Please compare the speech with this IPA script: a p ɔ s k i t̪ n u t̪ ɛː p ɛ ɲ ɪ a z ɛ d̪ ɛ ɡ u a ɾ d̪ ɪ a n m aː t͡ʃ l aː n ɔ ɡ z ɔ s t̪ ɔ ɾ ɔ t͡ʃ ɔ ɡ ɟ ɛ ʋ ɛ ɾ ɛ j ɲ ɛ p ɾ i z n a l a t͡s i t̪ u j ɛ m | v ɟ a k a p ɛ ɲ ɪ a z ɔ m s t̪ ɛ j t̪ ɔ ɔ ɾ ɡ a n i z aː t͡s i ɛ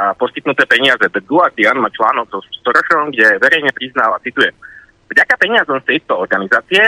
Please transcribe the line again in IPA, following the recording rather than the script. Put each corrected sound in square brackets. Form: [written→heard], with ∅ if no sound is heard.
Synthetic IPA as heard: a p ɔ s k i t̪ n u t̪ ɛː p ɛ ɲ ɪ a z ɛ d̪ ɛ ɡ u a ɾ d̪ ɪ a n m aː t͡ʃ l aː n ɔ ɡ z ɔ s t̪ ɔ ɾ ɔ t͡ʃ ɔ ɡ ɟ ɛ ʋ ɛ ɾ ɛ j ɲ ɛ p ɾ i z n a l a t͡s i t̪ u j ɛ m | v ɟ a k a p ɛ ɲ ɪ a z ɔ m s t̪ ɛ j t̪ ɔ ɔ ɾ ɡ a n i z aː t͡s i ɛ